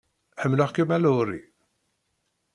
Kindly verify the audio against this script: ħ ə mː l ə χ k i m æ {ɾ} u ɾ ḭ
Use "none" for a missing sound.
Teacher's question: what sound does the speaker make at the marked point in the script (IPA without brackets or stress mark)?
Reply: l